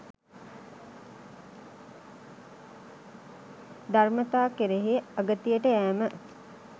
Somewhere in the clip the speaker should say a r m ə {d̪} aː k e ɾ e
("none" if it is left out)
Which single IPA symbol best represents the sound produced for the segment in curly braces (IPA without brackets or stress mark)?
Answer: t̪